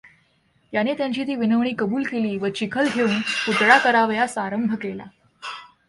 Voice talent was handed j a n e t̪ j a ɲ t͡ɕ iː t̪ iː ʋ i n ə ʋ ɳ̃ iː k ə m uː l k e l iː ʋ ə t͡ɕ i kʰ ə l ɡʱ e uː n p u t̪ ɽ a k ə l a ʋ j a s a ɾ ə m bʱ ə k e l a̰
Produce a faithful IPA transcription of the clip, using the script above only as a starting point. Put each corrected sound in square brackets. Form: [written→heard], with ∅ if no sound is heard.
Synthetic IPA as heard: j a n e t̪ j a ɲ t͡ɕ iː t̪ iː ʋ i n ə ʋ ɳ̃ iː k ə [m→b] uː l k e l iː ʋ ə t͡ɕ i kʰ ə l ɡʱ e uː n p u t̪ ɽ a k ə [l→ɾ] a ʋ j a s a ɾ ə m bʱ ə k e l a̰